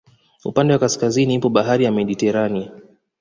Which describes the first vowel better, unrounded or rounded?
rounded